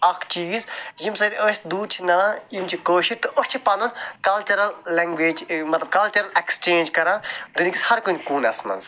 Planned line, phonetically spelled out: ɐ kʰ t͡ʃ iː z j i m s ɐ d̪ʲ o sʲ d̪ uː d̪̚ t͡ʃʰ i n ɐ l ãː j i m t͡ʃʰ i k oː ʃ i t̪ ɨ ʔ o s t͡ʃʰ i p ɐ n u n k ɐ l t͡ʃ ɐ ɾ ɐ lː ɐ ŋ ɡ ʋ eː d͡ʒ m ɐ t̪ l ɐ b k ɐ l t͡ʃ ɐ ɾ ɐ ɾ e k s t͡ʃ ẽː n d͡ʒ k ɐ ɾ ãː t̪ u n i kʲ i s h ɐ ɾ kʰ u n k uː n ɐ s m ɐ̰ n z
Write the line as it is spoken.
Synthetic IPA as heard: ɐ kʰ t͡ʃ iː z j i m s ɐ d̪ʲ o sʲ d̪ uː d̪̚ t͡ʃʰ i n ɐ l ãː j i m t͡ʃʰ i k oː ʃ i t̪ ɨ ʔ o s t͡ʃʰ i p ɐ n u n k ɐ l t͡ʃ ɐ ɾ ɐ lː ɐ ŋ ɡ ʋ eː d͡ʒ m ɐ t̪ l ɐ b k ɐ l t͡ʃ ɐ ɾ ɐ l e k s t͡ʃ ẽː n d͡ʒ k ɐ ɾ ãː d̪ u n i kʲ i s h ɐ ɾ k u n k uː n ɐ s m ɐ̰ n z

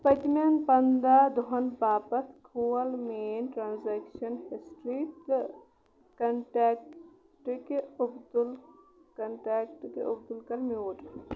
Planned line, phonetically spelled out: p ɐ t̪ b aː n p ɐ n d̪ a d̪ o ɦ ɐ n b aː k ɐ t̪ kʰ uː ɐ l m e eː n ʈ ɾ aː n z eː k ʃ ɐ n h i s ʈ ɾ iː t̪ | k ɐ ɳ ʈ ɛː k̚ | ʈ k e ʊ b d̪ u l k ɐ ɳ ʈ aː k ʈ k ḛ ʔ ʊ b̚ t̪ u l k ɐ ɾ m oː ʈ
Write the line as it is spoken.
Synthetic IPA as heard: p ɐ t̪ m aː n p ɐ n d̪ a d̪ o ɦ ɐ n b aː p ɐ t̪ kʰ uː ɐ l m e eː n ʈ ɾ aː n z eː k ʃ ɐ n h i s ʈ ɾ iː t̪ | k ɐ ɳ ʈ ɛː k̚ | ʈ k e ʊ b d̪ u l k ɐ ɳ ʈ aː k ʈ k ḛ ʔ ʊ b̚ d̪ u l k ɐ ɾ m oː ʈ

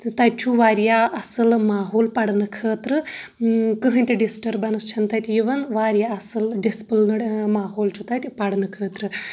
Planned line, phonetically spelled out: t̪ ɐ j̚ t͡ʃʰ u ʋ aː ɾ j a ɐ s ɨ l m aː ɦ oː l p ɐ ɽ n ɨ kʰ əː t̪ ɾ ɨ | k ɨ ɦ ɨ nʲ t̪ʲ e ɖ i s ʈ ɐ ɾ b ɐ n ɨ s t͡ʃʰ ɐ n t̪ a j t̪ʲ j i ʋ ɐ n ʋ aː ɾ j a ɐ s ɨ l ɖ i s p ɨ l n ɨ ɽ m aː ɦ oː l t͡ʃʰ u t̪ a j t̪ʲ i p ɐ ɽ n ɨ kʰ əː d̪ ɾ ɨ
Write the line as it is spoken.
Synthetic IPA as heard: t̪ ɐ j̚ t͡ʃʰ u ʋ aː ɾ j a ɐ s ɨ l m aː ɦ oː l p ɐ ɽ n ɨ kʰ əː t̪ ɾ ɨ | k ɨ ɦ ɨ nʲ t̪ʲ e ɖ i s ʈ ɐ ɾ b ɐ n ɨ s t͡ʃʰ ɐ n t̪ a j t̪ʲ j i ʋ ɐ n ʋ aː ɾ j a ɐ s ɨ l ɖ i s p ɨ l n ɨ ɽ m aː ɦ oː l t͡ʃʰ u t̪ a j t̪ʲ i p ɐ ɽ n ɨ kʰ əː t̪ ɾ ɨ

